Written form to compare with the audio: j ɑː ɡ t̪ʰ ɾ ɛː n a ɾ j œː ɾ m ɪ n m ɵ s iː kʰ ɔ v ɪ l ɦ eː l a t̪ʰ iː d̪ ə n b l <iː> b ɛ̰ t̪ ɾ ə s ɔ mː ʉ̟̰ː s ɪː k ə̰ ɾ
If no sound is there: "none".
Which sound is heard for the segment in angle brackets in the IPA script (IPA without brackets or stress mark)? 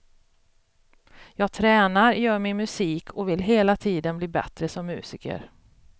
iː